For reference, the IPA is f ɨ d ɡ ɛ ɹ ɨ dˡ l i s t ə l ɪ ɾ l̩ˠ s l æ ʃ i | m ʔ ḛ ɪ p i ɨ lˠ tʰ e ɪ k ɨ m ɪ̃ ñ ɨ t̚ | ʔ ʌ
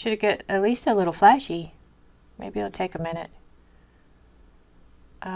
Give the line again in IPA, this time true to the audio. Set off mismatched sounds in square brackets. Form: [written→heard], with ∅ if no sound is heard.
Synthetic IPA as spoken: [f→ʃ] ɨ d ɡ ɛ [ɹ→ɾ] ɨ [dˡ→tˡ] l i s t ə l ɪ ɾ l̩ˠ [s→f] l æ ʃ i | m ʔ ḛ ɪ [p→b] i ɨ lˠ tʰ e ɪ k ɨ m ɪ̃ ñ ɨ t̚ | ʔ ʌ